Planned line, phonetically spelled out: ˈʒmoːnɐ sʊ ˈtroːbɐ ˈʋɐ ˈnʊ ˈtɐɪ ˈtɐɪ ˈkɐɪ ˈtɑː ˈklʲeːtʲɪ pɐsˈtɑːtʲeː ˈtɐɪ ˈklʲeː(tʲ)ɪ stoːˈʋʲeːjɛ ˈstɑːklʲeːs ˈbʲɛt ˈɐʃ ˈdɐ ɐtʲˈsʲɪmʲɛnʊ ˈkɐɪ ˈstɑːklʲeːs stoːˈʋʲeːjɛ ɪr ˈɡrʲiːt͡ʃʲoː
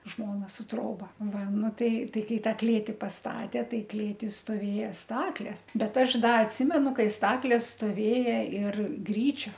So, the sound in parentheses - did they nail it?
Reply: yes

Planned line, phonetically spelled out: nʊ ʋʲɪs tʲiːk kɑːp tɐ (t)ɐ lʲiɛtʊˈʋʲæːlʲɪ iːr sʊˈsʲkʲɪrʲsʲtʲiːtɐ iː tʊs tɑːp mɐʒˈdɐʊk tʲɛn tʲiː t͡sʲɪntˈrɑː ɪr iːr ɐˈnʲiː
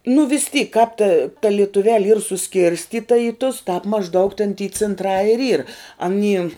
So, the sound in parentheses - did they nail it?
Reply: yes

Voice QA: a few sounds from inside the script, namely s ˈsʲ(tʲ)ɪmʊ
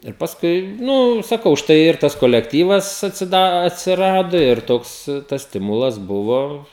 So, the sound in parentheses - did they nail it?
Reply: yes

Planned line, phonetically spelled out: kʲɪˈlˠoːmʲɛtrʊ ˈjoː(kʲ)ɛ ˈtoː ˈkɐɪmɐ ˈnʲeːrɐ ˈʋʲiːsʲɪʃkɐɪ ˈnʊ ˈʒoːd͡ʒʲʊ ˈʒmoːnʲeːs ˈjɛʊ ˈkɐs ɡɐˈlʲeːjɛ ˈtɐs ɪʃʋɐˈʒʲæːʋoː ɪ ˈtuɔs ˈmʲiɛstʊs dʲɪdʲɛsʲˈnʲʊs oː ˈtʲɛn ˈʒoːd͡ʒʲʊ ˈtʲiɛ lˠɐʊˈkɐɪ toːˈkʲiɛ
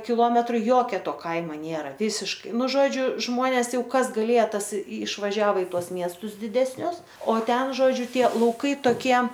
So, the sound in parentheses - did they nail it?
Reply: yes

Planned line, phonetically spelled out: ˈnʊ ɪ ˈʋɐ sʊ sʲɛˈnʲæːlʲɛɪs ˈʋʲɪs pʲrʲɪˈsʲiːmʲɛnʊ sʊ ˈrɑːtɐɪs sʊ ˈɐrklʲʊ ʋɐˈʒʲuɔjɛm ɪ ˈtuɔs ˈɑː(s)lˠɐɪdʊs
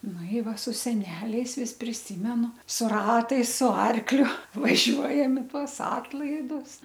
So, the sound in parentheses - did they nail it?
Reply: no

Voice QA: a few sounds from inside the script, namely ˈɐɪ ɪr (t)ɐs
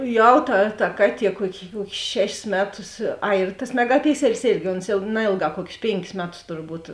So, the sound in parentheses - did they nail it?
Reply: yes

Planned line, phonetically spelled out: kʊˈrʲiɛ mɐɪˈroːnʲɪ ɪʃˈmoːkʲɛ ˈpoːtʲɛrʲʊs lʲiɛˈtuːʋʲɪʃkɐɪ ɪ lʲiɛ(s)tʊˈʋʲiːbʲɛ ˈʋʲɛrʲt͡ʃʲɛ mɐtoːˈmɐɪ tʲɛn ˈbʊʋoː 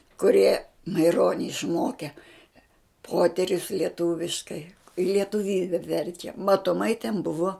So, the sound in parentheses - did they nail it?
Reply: no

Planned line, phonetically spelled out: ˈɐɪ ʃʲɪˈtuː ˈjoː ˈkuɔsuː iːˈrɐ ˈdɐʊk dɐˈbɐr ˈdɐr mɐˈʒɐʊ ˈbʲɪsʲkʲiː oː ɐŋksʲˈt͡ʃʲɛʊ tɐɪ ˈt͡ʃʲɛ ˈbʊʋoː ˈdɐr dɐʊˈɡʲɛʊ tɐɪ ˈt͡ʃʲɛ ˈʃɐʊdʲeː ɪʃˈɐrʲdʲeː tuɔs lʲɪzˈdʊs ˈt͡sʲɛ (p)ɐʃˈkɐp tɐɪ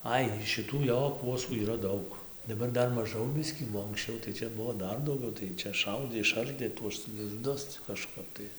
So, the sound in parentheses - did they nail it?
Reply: no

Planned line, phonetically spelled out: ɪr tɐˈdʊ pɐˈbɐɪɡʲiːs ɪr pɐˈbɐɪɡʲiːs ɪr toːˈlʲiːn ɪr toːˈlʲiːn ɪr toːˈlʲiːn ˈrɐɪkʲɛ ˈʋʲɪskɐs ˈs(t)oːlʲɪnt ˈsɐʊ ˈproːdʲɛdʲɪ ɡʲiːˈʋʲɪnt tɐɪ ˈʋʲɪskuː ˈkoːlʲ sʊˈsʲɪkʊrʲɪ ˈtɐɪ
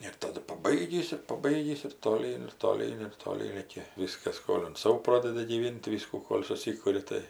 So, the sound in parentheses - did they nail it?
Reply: no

